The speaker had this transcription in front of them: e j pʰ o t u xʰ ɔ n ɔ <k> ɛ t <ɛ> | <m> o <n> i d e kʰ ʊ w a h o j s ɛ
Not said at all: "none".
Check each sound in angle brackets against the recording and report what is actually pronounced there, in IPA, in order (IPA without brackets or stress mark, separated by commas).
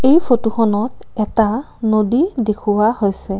t, a, n, d